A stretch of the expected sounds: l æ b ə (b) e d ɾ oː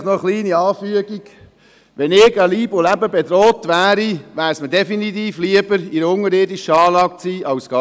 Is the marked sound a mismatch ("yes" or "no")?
no